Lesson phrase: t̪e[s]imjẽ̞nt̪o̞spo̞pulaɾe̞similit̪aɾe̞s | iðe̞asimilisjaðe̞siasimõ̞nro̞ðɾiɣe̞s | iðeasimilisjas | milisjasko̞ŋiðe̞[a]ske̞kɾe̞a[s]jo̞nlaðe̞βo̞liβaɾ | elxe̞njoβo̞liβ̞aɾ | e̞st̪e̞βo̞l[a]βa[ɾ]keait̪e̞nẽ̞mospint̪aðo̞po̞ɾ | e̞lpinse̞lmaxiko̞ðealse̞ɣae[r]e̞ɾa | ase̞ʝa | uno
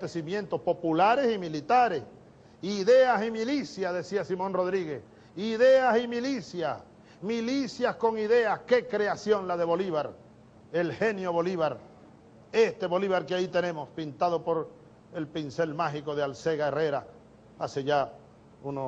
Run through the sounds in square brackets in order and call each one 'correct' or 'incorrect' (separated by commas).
correct, correct, correct, incorrect, correct, correct